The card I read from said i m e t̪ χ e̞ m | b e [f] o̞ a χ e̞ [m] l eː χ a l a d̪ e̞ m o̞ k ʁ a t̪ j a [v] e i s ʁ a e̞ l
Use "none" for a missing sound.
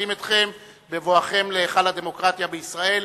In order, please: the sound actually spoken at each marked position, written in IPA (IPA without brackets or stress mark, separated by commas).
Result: v, m, b